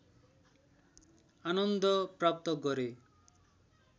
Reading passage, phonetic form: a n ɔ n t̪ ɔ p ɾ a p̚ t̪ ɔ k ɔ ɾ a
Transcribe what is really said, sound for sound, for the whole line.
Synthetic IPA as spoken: a n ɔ n d̪ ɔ p ɾ a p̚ t̪ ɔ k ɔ ɾ e